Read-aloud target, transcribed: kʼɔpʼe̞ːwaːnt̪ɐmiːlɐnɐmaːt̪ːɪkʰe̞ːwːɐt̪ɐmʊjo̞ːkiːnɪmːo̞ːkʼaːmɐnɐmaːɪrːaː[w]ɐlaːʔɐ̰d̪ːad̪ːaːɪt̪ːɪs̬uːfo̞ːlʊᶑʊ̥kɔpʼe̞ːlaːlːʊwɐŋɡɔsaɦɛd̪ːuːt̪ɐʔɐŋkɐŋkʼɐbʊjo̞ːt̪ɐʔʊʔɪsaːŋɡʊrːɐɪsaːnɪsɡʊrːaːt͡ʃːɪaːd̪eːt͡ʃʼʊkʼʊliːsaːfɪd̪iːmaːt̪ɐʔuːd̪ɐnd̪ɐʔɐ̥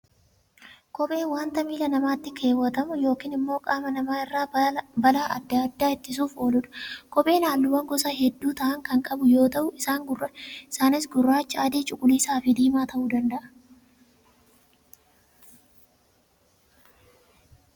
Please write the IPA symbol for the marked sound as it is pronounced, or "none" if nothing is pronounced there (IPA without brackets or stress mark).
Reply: b